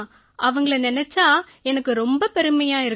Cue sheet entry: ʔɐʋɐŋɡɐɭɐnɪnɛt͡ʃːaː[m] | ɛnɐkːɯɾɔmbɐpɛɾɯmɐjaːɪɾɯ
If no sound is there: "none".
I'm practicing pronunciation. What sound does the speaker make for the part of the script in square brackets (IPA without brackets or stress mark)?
none